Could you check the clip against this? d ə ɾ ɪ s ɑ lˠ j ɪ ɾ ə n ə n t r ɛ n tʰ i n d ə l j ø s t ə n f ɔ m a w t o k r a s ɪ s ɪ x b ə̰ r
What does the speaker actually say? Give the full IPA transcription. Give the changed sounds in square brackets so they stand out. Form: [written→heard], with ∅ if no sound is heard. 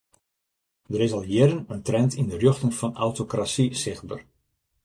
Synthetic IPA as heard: d ə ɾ ɪ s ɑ lˠ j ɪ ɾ ə n ə n t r ɛ n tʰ i n d ə [l→r] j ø [s→x] t ə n f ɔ [m→n] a w t o k r a s [ɪ→i] s ɪ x b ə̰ r